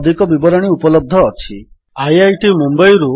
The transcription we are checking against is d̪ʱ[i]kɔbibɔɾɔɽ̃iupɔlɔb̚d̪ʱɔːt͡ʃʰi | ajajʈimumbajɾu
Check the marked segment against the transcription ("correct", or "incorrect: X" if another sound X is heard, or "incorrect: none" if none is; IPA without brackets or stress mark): correct